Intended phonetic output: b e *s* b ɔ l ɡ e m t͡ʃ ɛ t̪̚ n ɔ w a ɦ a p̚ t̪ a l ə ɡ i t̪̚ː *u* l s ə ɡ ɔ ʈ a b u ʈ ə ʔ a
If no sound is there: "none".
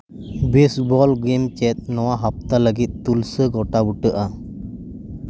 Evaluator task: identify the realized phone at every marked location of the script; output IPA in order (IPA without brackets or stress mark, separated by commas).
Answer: s, u